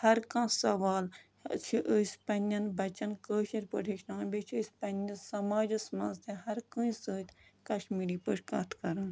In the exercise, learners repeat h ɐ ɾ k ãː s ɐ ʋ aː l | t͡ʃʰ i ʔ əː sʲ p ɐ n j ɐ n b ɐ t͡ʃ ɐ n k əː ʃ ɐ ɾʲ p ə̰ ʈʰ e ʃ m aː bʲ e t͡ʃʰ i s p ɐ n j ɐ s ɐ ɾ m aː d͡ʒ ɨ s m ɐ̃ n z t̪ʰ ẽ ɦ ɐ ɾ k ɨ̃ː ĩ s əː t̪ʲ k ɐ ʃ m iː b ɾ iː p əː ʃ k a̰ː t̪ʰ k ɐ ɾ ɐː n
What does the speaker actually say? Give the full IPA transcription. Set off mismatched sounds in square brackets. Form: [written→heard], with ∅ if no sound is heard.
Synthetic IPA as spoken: h ɐ ɾ k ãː s ɐ ʋ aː l | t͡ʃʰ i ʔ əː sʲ p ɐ n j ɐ n b ɐ t͡ʃ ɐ n k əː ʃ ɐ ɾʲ p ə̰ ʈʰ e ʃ [m→n] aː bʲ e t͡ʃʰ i s p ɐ n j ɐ s ɐ [ɾ→∅] m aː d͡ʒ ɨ s m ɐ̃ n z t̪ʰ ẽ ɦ ɐ ɾ k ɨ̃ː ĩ s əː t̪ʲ k ɐ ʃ m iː [b→∅] ɾ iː p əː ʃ k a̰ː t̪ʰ k ɐ ɾ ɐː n